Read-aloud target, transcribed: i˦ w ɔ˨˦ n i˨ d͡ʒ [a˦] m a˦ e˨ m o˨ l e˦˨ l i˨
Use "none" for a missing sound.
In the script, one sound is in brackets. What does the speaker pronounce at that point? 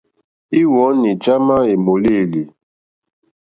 a˦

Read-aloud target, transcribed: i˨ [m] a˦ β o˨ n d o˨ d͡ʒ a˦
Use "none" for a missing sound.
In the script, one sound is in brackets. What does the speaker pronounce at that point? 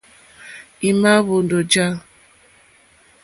m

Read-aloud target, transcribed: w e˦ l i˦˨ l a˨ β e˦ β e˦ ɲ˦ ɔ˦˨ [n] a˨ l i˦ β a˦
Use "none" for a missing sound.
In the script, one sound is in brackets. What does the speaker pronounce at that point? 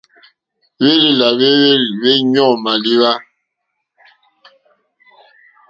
m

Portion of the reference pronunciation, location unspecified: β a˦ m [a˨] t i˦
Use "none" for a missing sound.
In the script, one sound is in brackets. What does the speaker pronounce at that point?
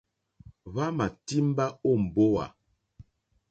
a˨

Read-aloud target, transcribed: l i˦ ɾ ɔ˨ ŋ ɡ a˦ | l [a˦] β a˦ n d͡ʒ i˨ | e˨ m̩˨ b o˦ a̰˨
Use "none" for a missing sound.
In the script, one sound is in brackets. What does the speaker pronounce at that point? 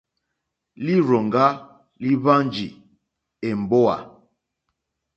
i˦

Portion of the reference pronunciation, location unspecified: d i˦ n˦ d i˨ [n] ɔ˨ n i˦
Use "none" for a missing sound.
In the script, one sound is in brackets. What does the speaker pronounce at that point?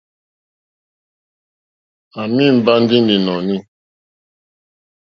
n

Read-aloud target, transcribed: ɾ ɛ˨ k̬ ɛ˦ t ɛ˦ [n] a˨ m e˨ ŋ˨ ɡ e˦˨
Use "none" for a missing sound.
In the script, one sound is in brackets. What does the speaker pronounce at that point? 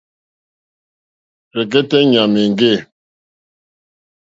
ɲ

